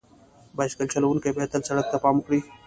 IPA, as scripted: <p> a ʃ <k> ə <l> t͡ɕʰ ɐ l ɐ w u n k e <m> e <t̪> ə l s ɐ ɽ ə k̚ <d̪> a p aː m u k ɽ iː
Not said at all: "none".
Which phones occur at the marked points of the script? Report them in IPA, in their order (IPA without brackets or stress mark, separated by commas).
b, k, l, b, t̪, t̪